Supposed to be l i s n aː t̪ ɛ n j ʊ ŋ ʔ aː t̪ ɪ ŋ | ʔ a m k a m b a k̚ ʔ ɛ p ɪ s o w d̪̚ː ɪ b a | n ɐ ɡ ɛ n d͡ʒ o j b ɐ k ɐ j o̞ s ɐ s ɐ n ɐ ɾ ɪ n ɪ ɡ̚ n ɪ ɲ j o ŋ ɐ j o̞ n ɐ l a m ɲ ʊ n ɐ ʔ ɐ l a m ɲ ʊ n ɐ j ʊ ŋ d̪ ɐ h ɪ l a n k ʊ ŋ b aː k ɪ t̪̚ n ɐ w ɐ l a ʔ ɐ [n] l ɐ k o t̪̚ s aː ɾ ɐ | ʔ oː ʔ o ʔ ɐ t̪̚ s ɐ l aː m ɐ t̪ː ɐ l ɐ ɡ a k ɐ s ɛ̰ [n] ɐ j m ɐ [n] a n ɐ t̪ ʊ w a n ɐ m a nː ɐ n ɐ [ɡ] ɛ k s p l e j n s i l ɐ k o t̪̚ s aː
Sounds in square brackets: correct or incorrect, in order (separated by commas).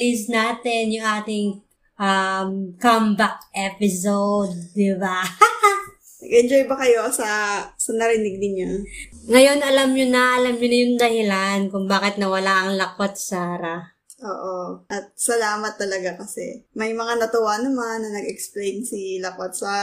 incorrect, incorrect, incorrect, correct